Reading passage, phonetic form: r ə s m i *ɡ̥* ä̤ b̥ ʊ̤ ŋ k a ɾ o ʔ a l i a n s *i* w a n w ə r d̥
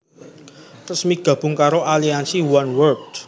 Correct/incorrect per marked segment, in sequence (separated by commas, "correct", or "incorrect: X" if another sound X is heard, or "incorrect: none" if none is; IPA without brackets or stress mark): correct, correct